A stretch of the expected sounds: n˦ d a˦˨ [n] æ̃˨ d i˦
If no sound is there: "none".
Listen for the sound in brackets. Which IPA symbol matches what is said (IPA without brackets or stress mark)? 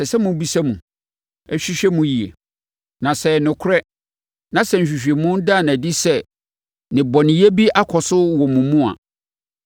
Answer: n